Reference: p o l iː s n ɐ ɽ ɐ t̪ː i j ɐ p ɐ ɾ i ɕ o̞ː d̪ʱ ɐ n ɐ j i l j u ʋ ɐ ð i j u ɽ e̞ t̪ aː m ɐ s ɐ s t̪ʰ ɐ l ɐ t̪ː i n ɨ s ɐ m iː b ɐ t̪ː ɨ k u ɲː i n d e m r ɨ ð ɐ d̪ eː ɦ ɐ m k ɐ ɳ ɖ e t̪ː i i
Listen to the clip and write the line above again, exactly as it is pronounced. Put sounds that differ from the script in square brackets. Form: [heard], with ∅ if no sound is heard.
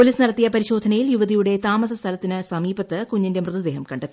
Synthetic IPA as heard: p o l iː s n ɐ ɽ ɐ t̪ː i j ɐ p ɐ ɾ i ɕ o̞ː d̪ʱ ɐ n ɐ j i l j u ʋ ɐ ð i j u ɽ e̞ t̪ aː m ɐ s ɐ s t̪ʰ ɐ l ɐ t̪ː i n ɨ s ɐ m iː b ɐ t̪ː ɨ k u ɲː i n d e m r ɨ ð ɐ d̪ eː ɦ ɐ m k ɐ ɳ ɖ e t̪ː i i